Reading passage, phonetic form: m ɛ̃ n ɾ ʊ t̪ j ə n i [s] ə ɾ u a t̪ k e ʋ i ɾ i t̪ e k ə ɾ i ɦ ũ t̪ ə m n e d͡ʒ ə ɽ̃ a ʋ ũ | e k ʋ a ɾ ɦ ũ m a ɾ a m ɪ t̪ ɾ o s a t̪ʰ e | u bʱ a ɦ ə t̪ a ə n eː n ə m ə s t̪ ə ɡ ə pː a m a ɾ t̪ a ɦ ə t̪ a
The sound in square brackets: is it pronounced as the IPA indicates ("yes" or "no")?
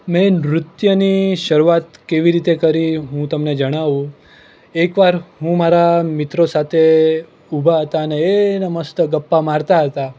no